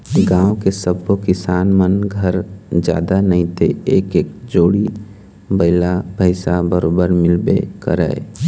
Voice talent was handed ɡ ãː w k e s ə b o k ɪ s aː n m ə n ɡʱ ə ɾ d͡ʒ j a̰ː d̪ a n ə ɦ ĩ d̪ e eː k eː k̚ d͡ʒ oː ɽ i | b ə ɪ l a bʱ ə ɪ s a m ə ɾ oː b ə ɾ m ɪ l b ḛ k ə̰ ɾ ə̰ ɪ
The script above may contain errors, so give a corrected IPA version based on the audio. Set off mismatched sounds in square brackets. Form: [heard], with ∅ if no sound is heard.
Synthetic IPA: ɡ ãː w k e s ə b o k ɪ s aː n m ə n ɡʱ ə ɾ d͡ʒ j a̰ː d̪ a n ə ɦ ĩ [t̪] e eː k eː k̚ d͡ʒ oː ɽ i | b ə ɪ l a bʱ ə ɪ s a [b] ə ɾ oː b ə ɾ m ɪ l b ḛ k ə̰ ɾ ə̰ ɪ